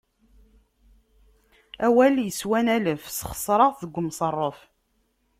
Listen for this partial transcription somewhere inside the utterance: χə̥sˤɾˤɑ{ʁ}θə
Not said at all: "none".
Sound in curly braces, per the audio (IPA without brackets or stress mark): ʁ